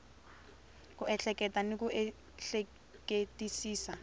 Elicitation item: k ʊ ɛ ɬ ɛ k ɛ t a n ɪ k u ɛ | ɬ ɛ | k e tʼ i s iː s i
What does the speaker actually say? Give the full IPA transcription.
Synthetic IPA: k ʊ ɛ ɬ ɛ k ɛ t a n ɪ k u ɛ | ɬ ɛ | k e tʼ i s iː s a